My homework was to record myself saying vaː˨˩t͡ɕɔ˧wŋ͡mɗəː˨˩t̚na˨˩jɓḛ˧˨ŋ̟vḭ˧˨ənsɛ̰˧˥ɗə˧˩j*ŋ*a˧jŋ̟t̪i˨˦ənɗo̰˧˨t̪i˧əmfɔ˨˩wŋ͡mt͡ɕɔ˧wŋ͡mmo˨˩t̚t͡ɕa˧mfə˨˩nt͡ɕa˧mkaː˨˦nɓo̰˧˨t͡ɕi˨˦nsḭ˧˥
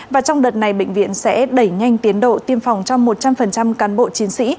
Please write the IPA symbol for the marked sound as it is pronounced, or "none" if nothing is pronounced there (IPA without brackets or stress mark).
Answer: ŋ